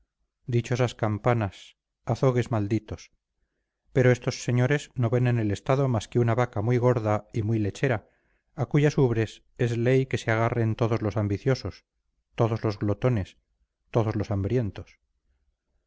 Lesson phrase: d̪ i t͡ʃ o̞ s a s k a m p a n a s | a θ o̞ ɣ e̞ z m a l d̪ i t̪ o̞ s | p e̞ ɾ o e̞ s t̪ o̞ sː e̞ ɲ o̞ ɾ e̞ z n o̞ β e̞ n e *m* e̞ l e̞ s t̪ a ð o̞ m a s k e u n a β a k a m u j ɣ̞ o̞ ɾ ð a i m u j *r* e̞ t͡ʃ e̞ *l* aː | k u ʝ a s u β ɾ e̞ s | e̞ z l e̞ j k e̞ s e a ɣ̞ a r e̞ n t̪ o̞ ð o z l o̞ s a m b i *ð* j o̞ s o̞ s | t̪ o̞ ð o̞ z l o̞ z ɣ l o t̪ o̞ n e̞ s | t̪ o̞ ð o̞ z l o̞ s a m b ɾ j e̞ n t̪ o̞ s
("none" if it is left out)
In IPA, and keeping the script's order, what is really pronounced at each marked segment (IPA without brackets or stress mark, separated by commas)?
n, l, ɾ, θ